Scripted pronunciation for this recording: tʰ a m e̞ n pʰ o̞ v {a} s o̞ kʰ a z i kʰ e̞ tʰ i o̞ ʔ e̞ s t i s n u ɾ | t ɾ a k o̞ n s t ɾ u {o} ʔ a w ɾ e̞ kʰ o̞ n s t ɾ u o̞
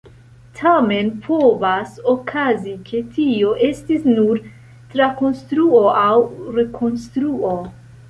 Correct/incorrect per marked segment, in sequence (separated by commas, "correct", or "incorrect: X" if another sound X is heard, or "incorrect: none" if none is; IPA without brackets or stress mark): correct, correct